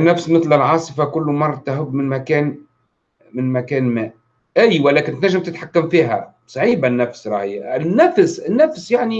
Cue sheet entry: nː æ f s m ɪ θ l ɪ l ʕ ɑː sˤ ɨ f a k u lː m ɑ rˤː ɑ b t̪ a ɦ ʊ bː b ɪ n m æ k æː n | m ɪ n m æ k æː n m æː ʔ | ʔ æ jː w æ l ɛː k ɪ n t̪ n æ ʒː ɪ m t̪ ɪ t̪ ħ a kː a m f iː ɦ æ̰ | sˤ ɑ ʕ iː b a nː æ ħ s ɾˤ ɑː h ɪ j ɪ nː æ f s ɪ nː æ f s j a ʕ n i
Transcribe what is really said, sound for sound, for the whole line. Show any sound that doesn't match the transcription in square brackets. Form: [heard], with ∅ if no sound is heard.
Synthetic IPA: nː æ f s m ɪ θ l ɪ l ʕ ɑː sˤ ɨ f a k [ʊ] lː m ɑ rˤː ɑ [∅] t̪ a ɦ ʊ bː [m] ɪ n m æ k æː n | m ɪ n m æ k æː n m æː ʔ | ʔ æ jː w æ l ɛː k ɪ n t̪ n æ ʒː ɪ m t̪ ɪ t̪ ħ a kː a m f iː ɦ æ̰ | sˤ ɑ ʕ iː b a nː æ [f] s ɾˤ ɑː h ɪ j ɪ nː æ f s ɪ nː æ f s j a ʕ n i